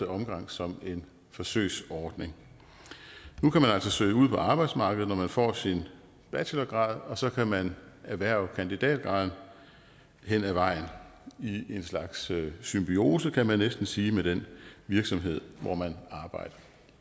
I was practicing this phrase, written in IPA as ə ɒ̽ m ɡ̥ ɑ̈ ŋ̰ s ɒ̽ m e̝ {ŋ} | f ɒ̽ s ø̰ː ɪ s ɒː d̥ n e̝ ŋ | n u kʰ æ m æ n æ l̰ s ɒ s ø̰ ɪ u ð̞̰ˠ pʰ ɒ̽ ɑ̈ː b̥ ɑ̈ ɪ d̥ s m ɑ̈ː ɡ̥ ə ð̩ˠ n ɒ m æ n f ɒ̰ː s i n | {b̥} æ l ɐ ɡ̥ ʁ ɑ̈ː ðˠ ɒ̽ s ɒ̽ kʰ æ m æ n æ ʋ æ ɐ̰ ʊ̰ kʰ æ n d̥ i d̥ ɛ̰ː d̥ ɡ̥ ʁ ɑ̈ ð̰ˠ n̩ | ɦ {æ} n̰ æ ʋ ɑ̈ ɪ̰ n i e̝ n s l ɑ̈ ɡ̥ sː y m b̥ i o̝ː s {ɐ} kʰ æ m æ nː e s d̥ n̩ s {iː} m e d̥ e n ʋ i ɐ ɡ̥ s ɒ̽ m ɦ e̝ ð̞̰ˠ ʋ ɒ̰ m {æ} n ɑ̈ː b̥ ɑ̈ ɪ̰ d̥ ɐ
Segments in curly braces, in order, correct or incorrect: incorrect: n, correct, incorrect: e, incorrect: ə, correct, correct

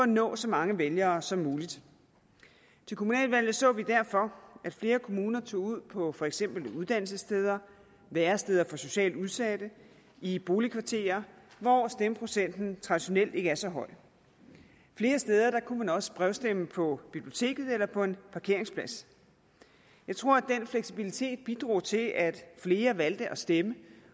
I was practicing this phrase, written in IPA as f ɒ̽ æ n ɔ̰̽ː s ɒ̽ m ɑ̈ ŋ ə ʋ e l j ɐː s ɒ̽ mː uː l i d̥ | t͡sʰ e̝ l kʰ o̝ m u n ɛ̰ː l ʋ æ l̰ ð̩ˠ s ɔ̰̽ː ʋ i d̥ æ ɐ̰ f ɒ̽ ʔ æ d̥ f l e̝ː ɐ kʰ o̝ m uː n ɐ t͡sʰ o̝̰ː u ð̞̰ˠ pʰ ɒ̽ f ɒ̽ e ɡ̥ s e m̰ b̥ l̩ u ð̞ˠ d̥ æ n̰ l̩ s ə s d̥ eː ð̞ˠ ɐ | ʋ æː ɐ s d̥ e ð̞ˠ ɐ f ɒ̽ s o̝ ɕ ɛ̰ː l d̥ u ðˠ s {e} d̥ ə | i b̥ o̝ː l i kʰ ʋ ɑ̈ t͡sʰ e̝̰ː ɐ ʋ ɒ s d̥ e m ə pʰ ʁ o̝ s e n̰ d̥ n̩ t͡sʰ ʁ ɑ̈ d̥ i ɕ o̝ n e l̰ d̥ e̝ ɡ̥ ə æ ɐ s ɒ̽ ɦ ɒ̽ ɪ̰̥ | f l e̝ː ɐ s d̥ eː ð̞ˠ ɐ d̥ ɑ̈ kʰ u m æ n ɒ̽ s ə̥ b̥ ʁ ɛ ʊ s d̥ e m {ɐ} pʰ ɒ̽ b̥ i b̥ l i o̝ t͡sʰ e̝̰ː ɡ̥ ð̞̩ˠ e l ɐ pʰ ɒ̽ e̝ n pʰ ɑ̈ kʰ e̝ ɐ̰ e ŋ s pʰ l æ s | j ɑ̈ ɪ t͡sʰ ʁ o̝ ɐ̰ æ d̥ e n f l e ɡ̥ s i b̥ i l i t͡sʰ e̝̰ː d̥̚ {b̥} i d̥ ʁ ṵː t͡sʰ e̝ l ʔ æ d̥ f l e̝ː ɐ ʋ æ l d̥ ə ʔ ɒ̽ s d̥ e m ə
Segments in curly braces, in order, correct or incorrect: incorrect: æ, incorrect: ə, correct

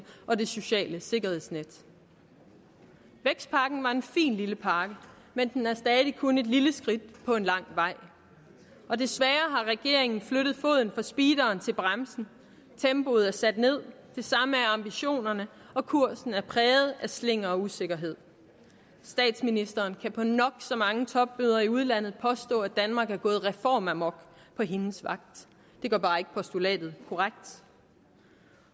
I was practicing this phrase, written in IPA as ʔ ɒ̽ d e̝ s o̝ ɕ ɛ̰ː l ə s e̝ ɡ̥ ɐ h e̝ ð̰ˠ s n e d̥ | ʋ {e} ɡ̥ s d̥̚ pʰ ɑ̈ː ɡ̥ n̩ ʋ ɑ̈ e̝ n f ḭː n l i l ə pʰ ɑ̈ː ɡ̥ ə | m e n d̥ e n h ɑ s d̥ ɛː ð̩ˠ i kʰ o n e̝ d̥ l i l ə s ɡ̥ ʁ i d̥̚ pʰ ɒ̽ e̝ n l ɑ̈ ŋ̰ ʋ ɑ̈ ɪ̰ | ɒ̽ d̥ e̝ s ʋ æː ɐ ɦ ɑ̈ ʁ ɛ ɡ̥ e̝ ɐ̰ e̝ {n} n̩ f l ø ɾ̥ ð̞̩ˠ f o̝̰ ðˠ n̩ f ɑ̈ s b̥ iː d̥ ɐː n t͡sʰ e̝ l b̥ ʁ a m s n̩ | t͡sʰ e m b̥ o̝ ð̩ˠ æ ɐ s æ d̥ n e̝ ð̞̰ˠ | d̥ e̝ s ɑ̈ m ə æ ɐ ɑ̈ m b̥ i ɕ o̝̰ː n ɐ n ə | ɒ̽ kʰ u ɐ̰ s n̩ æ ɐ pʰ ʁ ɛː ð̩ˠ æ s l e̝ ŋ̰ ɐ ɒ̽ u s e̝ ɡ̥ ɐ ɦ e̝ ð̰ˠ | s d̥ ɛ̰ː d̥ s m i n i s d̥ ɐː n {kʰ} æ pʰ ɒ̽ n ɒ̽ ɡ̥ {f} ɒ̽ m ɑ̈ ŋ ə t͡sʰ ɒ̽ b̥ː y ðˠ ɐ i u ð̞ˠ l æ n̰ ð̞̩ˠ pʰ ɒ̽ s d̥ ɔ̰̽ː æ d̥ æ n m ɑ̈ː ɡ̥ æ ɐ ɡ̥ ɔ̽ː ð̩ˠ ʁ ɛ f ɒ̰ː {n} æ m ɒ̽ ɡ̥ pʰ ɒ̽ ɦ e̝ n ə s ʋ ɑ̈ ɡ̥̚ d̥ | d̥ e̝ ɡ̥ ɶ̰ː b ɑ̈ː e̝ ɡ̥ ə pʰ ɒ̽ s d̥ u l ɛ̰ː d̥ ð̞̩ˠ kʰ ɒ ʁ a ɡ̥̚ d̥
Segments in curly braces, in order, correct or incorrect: correct, incorrect: ŋ, correct, incorrect: s, incorrect: m

